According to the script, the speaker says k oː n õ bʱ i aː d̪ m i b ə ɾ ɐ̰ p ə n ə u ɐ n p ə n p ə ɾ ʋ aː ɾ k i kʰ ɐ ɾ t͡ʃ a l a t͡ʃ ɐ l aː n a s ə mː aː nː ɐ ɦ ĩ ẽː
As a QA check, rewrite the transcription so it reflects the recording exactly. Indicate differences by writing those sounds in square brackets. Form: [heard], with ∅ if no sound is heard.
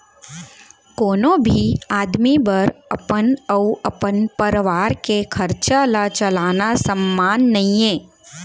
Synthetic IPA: k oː n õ bʱ i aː d̪ m i b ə ɾ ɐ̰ p ə n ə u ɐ [∅] p ə n p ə ɾ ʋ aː ɾ k [e] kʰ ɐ ɾ t͡ʃ a l a t͡ʃ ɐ l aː n a s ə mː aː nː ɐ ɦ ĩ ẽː